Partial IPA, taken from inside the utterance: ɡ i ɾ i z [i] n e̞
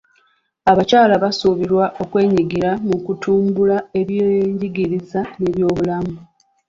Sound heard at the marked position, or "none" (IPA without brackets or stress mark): a